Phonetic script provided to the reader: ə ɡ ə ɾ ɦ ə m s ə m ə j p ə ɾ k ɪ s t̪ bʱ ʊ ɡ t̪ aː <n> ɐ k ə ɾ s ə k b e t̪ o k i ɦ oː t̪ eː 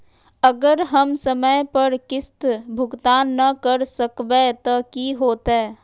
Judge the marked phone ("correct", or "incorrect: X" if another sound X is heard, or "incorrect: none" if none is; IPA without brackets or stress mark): incorrect: nː